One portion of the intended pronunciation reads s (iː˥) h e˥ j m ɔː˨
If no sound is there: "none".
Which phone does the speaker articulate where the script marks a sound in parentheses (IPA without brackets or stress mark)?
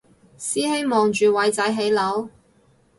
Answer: iː˥